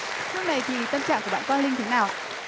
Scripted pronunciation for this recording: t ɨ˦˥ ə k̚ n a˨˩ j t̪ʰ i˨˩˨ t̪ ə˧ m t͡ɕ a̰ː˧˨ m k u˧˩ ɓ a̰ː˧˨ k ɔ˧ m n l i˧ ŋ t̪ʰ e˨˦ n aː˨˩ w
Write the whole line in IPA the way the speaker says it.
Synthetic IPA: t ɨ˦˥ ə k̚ n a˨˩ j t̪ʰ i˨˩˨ t̪ ə˧ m t͡ɕ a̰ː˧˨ ŋ k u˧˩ ɓ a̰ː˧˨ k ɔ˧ n l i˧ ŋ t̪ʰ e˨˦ n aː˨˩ w